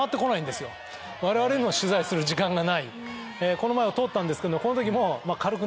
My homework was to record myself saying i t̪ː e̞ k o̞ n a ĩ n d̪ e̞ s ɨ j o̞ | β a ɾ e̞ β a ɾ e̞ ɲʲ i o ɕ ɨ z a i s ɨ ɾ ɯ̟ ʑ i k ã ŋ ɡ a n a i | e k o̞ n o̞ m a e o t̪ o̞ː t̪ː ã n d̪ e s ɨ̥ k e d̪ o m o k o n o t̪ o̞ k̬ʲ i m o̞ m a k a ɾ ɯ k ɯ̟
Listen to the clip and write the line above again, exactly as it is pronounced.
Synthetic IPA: a t̪ː e̞ k o̞ n a ĩ n d̪ e̞ s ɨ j o̞ | β a ɾ e̞ β a ɾ e̞ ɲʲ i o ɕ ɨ z a i s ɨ ɾ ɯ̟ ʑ i k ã ŋ ɡ a n a i | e k o̞ n o̞ m a e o t̪ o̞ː t̪ː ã n d̪ e s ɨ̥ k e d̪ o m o k o n o t̪ o̞ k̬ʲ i m o̞ m a k a ɾ ɯ k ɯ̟

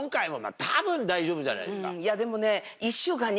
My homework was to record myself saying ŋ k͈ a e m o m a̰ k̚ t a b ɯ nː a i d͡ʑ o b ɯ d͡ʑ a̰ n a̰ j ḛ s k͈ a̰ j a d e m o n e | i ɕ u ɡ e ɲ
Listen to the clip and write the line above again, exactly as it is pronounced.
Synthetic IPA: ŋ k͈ a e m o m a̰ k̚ t a b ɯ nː a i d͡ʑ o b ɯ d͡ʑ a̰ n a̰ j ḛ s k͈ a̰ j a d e m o n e | i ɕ u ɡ a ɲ

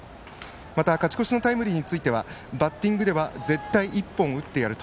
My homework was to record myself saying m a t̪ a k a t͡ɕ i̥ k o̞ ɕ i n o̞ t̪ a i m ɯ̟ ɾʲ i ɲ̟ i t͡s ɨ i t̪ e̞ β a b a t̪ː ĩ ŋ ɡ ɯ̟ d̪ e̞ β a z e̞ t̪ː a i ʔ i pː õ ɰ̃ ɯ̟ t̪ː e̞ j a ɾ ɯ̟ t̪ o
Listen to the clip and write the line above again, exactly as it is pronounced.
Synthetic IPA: m a t̪ a k a t͡ɕ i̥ k o̞ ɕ i n o̞ t̪ a i m ɯ̟ ɾʲ i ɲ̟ i t͡s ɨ i t̪ e̞ β a b a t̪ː ĩ ŋ ɡ ɯ̟ d̪ e̞ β a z e̞ t̪ː a i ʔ i pː õ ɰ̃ ɯ̟ t̪ː e̞ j a ɾ ɯ̟ t̪ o

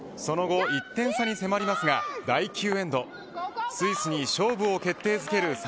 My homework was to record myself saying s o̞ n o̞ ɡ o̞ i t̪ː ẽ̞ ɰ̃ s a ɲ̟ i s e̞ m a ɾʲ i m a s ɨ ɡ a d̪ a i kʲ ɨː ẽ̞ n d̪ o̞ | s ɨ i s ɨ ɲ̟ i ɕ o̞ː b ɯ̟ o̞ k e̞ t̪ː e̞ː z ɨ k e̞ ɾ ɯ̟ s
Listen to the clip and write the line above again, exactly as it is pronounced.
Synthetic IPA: s o̞ n o̞ ɡ o̞ i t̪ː ẽ̞ ɰ̃ s a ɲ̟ i s e̞ m a ɾʲ i m a s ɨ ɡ a d̪ a i kʲ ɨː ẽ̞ n d̪ o̞ | s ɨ i s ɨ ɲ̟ i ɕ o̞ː b ɯ̟ o̞ k e̞ t̪ː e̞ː z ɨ k e̞ ɾ ɯ̟ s

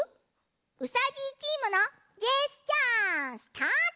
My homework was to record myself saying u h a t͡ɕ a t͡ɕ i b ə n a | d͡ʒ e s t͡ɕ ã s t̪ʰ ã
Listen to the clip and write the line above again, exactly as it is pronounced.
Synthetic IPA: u s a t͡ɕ i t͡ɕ i m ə n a | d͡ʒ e s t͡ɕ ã s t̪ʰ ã

